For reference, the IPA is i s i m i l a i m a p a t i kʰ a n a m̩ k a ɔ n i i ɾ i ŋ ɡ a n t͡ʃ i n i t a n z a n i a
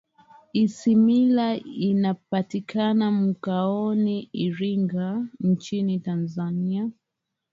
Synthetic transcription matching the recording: i s i m i l a i n a p a t i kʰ a n a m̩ k a ɔ n i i ɾ i ŋ ɡ a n t͡ʃ i n i t a n z a n i a